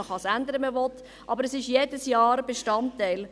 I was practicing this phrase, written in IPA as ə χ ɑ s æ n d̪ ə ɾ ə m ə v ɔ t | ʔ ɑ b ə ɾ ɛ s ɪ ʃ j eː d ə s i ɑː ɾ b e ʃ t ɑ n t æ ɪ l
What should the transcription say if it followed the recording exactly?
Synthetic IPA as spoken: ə χ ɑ s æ n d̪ ə ɾ ə m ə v ɔ t | ʔ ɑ b ə ɾ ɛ s ɪ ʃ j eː d ə s j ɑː ɾ b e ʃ t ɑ n t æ ɪ l